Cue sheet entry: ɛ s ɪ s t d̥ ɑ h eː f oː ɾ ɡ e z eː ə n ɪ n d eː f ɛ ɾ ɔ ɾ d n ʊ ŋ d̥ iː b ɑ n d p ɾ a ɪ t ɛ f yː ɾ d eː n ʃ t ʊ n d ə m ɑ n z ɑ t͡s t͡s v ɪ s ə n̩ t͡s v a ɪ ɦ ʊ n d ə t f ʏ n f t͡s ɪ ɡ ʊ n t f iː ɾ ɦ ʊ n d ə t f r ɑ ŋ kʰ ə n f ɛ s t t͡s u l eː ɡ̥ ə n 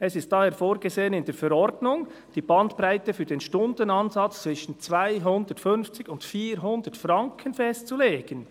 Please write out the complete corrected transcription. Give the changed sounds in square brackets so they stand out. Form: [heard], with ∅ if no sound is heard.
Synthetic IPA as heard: ɛ s ɪ s t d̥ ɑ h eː f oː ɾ ɡ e z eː ə n ɪ n d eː f ɛ ɾ ɔ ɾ d n ʊ ŋ d̥ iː b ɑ n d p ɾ a ɪ t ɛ f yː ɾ d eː n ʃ t ʊ n d ə [n] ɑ n z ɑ t͡s t͡s v ɪ [ʃ] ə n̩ t͡s v a ɪ ɦ ʊ n d ə t f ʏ n f t͡s ɪ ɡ ʊ n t f iː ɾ ɦ ʊ n d ə t f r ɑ ŋ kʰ ə n f ɛ s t t͡s u l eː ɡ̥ ə n

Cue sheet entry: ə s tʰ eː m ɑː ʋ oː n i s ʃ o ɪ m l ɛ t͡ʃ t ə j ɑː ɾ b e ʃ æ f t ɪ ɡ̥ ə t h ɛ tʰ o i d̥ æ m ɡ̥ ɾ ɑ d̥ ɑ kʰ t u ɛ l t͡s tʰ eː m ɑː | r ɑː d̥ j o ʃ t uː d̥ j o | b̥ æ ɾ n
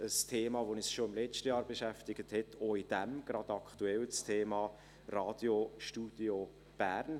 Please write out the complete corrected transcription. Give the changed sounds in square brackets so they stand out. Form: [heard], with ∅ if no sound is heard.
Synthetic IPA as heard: ə s tʰ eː m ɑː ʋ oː n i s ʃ o ɪ m l ɛ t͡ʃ t ə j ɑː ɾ b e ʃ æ f t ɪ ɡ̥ ə t h ɛ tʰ o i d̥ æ m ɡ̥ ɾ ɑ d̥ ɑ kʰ t u ɛ l t͡s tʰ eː m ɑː | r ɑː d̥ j o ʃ t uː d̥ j o | b̥ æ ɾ n

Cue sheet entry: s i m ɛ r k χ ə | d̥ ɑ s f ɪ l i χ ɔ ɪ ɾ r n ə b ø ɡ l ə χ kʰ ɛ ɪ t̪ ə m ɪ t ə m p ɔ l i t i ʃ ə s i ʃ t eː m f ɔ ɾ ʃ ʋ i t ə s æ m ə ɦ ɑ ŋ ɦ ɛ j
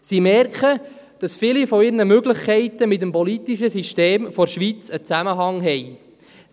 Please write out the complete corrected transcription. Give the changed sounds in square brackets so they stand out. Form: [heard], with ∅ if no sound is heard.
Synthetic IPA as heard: s i m ɛ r k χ ə | d̥ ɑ s f ɪ l i [f] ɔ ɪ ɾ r n ə [m] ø ɡ l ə χ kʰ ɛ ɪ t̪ ə m ɪ t ə m p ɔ l i t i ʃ ə s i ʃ t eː m f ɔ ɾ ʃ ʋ i [t͡s] ə [t͡s] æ m ə ɦ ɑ ŋ ɦ ɛ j

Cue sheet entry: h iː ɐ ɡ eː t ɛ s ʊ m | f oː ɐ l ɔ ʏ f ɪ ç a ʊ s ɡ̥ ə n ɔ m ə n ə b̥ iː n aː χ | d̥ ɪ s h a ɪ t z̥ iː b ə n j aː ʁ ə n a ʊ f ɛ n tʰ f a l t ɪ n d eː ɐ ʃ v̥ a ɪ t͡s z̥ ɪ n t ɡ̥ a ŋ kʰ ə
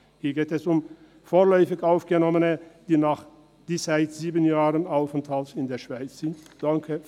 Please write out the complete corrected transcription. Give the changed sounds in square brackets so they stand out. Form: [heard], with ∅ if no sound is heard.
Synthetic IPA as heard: h iː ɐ ɡ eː t ɛ s ʊ m | f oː ɐ l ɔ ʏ f ɪ ç a ʊ [f] ɡ̥ ə n ɔ m ə n ə [d̥] iː n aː χ | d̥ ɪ s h a ɪ t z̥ iː b ə n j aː ʁ ə n a ʊ f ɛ n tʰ [h] a l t ɪ n d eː ɐ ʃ v̥ a ɪ t͡s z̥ ɪ n t [d̥] a ŋ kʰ ə

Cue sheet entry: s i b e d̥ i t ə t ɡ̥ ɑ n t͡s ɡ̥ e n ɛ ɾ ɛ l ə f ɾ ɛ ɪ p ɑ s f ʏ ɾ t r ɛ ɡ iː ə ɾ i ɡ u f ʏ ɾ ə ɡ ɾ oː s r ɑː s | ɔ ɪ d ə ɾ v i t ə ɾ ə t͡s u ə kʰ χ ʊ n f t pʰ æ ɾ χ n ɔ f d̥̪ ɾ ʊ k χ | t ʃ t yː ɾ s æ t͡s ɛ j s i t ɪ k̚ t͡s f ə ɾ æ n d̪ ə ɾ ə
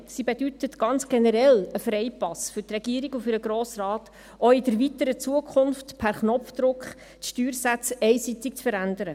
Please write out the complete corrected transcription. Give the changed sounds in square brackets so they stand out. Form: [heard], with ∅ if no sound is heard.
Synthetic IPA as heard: s i b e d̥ [y] t ə t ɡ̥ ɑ n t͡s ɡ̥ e n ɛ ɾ ɛ l ə f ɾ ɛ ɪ p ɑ s f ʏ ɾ t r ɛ ɡ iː ə ɾ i ɡ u f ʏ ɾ ə ɡ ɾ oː s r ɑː [t] | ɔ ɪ d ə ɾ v i t ə ɾ ə t͡s u ə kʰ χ ʊ n f t pʰ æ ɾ χ n ɔ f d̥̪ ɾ ʊ k χ | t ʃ t yː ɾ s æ t͡s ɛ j s i t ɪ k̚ t͡s f ə ɾ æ n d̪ ə ɾ ə

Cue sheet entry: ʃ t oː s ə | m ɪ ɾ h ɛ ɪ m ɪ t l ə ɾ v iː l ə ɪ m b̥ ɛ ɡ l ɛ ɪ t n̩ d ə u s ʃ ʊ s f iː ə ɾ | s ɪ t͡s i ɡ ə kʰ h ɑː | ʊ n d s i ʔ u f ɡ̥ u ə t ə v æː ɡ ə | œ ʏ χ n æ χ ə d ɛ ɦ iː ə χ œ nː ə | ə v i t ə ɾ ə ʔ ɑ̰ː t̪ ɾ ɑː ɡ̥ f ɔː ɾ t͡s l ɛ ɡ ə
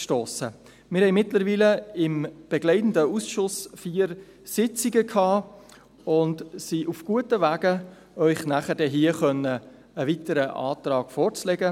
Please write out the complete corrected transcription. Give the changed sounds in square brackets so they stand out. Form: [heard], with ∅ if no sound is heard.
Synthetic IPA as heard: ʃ t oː s ə | m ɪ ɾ h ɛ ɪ m ɪ t l ə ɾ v iː l ə ɪ m b̥ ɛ ɡ l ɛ ɪ t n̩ d ə u s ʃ ʊ s f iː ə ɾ | s ɪ t͡s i ɡ ə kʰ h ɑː | ʊ n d s i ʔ u f ɡ̥ u ə t ə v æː ɡ ə | œ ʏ χ n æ χ ə d ɛ ɦ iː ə χ œ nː ə | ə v i t ə ɾ ə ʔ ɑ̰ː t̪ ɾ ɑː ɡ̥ f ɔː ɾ t͡s l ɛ ɡ ə

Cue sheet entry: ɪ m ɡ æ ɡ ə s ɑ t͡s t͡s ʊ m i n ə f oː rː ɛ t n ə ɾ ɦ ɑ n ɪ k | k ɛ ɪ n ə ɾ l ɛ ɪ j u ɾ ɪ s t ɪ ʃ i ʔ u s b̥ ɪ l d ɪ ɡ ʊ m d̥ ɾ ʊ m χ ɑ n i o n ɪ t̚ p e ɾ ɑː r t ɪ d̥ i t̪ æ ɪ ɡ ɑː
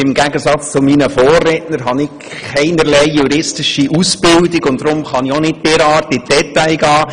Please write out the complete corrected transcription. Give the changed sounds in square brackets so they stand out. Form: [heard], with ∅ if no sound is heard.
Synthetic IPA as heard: ɪ m ɡ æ ɡ ə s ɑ t͡s t͡s ʊ m i n ə f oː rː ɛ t n ə ɾ ɦ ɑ n ɪ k | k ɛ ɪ n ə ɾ l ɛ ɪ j u ɾ ɪ s t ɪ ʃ i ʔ u s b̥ ɪ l d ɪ ɡ ʊ [n] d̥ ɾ ʊ m χ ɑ n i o n ɪ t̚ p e ɾ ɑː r t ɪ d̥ [ɛ] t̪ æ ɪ ɡ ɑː

